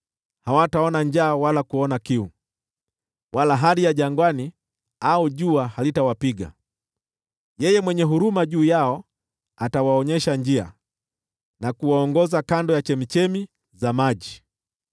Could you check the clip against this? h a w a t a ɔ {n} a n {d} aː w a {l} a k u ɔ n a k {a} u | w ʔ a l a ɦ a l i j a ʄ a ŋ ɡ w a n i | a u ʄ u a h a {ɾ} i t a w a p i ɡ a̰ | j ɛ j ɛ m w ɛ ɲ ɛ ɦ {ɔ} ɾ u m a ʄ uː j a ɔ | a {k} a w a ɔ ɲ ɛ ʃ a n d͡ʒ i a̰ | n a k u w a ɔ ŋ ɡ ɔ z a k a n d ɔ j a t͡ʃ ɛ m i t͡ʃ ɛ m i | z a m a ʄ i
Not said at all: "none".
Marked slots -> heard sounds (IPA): n, d͡ʒ, l, i, l, u, t

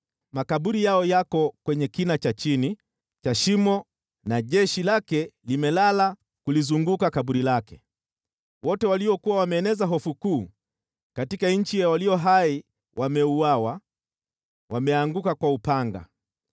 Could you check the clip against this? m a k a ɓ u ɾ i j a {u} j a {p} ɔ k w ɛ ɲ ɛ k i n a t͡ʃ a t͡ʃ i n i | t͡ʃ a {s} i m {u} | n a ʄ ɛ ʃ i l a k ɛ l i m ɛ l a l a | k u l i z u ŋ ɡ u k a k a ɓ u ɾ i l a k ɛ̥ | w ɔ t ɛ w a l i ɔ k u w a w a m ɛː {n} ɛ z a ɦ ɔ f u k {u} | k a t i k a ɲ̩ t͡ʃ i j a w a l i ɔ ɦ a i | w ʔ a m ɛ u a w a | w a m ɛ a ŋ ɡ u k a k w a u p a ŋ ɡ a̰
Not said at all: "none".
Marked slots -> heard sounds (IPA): ɔ, k, ʃ, ɔ, n, uː

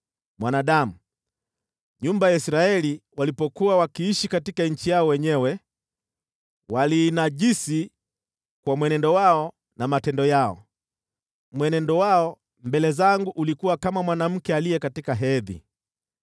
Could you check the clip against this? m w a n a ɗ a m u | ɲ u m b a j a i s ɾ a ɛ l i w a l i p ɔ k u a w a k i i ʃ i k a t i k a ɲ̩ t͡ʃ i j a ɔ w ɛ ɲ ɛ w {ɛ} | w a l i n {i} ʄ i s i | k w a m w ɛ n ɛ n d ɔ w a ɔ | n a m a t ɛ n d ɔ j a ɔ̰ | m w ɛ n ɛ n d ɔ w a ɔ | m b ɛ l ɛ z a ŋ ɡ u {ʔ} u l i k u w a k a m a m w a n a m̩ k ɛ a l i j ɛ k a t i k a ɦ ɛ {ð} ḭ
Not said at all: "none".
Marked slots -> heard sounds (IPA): ɛ, a, ʔ, ð

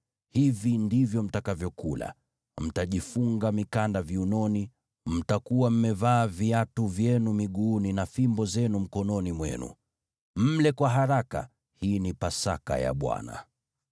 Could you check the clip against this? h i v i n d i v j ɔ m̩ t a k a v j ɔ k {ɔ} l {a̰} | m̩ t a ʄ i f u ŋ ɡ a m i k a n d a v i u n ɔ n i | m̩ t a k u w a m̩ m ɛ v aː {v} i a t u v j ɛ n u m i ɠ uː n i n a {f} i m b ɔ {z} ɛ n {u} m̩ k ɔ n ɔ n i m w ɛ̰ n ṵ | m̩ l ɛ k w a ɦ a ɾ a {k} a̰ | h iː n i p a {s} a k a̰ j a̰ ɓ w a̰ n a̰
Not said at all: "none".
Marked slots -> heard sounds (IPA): u, a̰, v, f, z, u, k, s

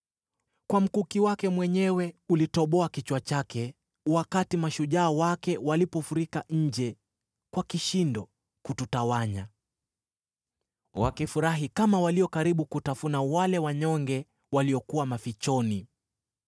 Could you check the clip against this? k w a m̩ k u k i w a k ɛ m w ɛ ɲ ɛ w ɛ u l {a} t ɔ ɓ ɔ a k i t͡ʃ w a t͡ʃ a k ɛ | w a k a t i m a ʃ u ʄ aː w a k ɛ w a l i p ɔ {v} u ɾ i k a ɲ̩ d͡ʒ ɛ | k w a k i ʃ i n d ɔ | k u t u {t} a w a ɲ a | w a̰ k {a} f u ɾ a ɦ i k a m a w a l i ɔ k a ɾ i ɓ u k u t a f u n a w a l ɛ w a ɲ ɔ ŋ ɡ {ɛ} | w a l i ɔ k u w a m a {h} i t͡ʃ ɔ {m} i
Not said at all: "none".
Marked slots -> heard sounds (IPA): i, f, t, i, ɛ, f, n

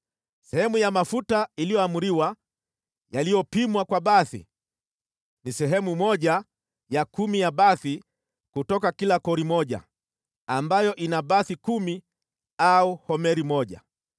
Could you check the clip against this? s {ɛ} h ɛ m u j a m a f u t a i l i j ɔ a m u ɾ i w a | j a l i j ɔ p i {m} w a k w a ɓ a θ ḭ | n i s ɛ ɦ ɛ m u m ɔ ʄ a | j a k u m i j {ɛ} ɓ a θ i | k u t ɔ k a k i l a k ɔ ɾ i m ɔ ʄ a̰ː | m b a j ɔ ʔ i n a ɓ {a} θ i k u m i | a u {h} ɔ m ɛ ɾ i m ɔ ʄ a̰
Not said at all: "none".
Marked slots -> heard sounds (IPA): ɛ, m, a, a, h

